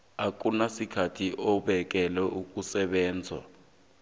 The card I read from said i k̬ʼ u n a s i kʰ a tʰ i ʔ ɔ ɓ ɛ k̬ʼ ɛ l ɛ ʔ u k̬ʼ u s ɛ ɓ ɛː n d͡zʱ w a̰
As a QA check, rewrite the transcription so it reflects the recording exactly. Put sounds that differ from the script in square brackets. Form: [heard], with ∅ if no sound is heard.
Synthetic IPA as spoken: [a] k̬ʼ u n a s i kʰ a tʰ i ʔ ɔ ɓ ɛ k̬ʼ ɛ l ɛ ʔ u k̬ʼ u s ɛ ɓ ɛː n d͡zʱ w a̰